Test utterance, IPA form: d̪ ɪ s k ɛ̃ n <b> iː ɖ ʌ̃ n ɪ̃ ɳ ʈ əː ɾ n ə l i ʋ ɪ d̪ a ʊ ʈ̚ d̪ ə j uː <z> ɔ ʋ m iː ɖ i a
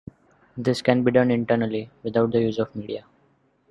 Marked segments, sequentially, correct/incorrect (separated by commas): correct, correct